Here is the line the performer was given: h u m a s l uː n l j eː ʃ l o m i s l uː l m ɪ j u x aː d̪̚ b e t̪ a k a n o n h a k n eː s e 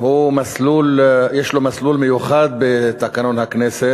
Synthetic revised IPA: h u m a s l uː l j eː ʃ l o m a s l uː l m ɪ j u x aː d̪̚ b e t̪ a k a n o n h a k n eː s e

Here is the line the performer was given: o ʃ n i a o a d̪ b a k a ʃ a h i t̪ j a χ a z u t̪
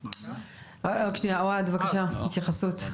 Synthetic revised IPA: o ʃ n i a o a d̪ v a k a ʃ a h i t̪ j a χ a s u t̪

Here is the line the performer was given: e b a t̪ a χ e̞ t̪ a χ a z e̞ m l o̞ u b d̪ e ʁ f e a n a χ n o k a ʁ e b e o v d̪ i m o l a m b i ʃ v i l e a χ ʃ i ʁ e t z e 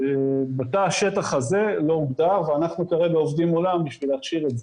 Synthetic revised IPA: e b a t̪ a ʃ e̞ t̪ a χ a z e̞ l o̞ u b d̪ a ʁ v e a n a χ n u k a ʁ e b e o v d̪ i m o l a m b i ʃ v i l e a χ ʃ i ʁ e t z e

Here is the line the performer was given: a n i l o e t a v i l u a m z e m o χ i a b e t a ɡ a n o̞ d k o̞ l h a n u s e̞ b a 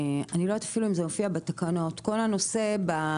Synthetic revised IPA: a n i l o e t a f i l u i m z e m o f i a b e t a k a n o̞ t k o̞ l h a n o s e̞ b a

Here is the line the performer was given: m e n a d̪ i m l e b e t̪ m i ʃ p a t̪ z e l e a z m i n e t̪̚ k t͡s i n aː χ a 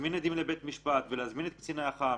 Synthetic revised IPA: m i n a d̪ i m l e b e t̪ m i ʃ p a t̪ v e l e a z m i n e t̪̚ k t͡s i n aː χ a

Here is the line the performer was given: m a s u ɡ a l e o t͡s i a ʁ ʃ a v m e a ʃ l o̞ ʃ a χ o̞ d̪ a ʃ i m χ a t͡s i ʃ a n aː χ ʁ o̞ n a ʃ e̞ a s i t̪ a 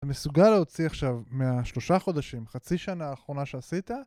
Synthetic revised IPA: m e s u ɡ a l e o t͡s i a χ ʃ a v m e a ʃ l o̞ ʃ a χ o̞ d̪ a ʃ i m χ a t͡s i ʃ a n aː χ ʁ o̞ n a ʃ e̞ a s i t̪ a

